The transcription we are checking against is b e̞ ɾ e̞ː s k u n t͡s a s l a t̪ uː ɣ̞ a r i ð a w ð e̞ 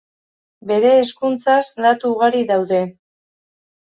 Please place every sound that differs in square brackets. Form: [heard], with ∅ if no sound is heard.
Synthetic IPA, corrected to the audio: b e̞ ɾ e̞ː s k u n t͡s a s l a t̪ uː ɣ̞ a [ɾ] i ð a w ð e̞